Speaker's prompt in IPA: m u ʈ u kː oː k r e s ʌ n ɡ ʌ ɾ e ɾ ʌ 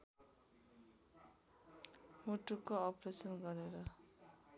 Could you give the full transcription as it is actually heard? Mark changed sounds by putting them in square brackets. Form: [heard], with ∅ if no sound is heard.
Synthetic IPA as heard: m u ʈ u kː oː [p] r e s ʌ n ɡ ʌ ɾ e ɾ ʌ